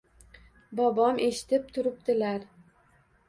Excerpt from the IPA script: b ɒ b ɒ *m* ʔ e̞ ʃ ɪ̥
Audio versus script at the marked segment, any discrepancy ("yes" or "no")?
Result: no